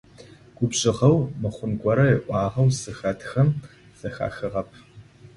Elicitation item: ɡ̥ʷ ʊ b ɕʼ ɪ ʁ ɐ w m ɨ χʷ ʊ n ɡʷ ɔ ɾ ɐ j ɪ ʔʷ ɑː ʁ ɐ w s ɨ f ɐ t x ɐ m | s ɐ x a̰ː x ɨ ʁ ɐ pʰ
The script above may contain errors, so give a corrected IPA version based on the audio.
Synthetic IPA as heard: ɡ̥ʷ ʊ b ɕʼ ɪ ʁ ɐ w m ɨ χʷ ʊ n ɡʷ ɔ ɾ ɐ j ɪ ʔʷ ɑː ʁ ɐ w s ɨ x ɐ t x ɐ m | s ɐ x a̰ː x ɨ ʁ ɐ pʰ